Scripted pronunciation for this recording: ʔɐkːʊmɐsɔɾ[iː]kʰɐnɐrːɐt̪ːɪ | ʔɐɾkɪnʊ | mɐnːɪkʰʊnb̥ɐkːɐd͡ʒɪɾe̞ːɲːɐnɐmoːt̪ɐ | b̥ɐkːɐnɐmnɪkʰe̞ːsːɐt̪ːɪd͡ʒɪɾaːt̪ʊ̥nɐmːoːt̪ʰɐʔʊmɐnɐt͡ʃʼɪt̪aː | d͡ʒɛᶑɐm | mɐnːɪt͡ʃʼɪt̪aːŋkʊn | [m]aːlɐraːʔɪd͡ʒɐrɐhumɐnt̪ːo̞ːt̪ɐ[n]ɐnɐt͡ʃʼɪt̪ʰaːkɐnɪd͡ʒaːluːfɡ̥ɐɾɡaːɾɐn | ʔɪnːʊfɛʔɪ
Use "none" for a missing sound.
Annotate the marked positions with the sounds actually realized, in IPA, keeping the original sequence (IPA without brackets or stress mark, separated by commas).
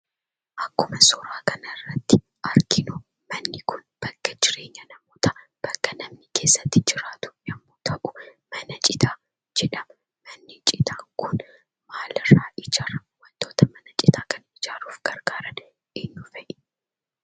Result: aː, m, m